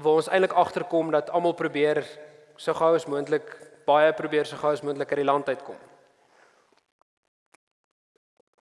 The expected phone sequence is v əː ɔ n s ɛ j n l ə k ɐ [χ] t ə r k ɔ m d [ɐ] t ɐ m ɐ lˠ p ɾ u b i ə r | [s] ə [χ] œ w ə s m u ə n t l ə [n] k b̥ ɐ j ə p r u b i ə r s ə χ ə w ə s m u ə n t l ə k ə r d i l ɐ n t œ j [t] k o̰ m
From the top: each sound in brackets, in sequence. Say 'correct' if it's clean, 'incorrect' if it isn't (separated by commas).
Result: correct, correct, correct, correct, incorrect, correct